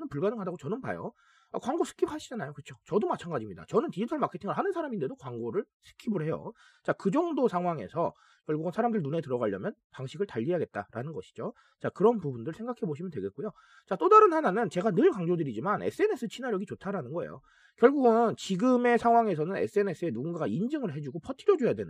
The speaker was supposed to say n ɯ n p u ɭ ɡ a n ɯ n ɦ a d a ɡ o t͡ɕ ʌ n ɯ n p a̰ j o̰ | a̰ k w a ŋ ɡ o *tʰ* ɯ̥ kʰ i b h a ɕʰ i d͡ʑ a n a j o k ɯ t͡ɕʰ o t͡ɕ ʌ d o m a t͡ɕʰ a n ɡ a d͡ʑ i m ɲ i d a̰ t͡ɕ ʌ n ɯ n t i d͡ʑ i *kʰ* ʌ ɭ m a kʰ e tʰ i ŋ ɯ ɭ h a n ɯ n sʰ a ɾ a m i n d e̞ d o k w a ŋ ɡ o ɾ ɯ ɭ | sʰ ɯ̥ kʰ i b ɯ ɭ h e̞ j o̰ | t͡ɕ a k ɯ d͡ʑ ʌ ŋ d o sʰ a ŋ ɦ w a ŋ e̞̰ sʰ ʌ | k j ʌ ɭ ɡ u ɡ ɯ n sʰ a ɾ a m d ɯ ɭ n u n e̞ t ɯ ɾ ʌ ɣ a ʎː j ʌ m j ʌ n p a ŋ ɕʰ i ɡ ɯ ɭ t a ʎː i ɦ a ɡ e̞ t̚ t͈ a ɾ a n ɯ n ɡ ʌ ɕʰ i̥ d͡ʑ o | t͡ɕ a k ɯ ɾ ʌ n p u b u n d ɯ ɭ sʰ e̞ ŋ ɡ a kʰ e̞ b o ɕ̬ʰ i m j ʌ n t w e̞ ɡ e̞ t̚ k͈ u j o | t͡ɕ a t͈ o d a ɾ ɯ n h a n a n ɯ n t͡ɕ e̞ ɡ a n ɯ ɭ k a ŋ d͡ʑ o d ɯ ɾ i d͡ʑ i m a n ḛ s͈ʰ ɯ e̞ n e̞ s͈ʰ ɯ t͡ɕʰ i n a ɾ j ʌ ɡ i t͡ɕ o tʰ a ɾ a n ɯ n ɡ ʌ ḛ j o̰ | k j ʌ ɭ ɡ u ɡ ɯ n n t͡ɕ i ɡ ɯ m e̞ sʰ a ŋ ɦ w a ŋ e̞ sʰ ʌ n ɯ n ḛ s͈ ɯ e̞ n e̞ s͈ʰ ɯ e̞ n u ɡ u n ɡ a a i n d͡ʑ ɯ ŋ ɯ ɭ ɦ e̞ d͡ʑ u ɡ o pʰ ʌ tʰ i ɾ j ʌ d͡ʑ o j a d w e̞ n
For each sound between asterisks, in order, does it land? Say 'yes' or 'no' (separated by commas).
no, no